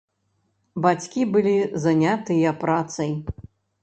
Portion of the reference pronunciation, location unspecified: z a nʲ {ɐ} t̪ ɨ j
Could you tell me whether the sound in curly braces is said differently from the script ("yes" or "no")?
yes